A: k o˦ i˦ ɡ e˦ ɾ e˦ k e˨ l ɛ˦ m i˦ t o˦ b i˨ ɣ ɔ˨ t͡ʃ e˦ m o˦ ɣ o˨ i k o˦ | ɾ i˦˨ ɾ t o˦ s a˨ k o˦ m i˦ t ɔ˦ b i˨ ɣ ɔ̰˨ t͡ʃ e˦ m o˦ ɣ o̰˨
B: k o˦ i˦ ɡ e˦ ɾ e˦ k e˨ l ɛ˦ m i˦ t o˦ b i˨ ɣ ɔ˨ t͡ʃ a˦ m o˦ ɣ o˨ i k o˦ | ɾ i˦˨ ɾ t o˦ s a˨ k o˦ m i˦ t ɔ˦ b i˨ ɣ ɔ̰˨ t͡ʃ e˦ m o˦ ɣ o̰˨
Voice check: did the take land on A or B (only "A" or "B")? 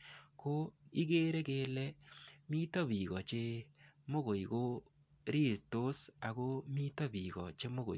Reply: A